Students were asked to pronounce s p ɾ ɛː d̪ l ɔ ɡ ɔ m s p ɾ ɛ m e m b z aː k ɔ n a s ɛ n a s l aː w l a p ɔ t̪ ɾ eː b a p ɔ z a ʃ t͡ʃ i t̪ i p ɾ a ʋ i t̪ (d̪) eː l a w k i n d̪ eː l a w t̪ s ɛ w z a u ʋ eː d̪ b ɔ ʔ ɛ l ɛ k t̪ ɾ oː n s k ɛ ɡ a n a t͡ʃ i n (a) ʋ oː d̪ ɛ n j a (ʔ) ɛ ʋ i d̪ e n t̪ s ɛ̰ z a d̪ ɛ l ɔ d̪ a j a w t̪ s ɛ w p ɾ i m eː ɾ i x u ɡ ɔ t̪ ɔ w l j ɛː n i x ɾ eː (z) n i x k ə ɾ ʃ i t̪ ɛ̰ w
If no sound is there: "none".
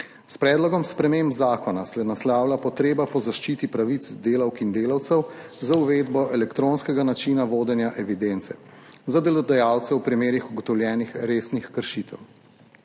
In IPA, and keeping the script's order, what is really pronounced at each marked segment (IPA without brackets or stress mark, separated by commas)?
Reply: d̪, a, ʔ, s